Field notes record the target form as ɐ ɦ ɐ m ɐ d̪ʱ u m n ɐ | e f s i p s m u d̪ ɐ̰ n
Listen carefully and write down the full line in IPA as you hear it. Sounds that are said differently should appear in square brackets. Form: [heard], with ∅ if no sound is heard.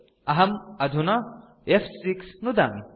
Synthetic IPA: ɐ ɦ ɐ m ɐ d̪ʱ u [∅] n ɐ | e f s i [k] s [n] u d̪ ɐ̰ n